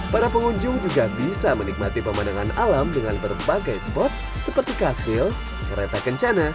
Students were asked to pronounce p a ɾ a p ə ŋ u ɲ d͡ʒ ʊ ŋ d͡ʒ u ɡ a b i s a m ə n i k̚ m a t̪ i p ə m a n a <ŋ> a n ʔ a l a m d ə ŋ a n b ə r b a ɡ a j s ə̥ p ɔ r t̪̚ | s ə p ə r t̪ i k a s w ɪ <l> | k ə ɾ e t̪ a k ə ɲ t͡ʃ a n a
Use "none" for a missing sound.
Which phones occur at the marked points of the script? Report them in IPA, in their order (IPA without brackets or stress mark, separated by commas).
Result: ŋ, l